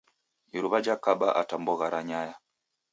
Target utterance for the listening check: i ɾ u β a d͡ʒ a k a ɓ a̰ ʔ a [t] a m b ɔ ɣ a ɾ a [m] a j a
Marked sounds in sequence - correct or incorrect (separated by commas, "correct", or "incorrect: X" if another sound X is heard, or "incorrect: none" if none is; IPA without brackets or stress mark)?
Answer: correct, incorrect: ɲ